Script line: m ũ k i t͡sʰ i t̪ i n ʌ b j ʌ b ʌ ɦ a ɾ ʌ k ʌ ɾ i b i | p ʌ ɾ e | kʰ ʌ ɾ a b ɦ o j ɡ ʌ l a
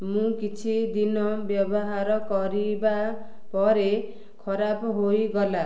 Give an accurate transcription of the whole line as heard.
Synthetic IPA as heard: m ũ k i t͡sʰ i d̪ i n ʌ b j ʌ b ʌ ɦ a ɾ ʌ k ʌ ɾ i b a | p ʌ ɾ e | kʰ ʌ ɾ a b ɦ o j ɡ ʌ l a